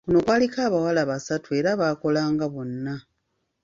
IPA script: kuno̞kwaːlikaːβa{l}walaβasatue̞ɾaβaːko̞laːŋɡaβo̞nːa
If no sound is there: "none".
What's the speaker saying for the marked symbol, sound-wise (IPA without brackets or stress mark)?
none